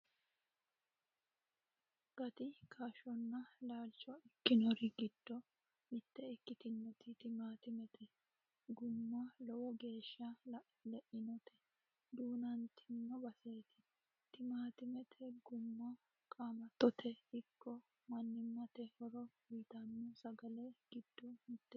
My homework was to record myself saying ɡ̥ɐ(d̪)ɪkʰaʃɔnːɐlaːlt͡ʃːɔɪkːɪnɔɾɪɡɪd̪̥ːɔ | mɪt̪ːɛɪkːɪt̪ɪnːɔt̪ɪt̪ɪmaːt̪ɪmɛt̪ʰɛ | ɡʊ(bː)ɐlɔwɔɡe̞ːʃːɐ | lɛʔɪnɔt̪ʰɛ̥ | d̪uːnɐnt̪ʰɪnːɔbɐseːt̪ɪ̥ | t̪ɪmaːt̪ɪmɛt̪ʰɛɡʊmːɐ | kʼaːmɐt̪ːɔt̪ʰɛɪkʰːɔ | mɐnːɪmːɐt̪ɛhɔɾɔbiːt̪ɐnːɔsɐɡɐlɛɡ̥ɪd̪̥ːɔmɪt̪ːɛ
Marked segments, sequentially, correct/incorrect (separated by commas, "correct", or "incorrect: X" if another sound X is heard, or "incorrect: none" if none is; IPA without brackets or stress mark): incorrect: t̪, incorrect: mː